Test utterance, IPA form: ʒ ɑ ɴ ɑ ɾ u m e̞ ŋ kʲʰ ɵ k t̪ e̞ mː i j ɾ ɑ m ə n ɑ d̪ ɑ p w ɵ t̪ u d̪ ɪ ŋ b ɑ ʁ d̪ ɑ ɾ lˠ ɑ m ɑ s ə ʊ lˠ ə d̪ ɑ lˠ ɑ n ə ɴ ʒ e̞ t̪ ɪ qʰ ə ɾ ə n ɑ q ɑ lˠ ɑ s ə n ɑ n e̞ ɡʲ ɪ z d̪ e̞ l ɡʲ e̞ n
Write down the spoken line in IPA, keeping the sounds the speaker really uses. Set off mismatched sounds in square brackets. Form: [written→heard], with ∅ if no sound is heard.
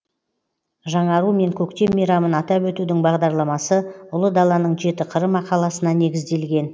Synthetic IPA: ʒ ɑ ɴ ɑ ɾ u m e̞ ŋ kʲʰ ɵ k t̪ e̞ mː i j ɾ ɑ m ə n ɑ [d̪→t̪] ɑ p w ɵ t̪ u d̪ ɪ ŋ b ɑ ʁ d̪ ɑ ɾ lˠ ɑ m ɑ s ə ʊ lˠ ə d̪ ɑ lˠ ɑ n ə ɴ ʒ e̞ t̪ ɪ qʰ ə ɾ ə [n→m] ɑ q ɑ lˠ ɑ s ə n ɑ n e̞ ɡʲ ɪ z d̪ e̞ l ɡʲ e̞ n